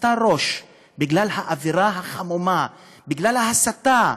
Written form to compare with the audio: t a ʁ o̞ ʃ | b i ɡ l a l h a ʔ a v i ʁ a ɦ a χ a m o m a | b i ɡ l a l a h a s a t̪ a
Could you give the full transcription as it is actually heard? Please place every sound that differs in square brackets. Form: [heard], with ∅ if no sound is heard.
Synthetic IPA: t a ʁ o̞ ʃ | b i ɡ l a l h a ʔ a v i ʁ a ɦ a χ a m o m a | b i ɡ l a l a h a s a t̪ a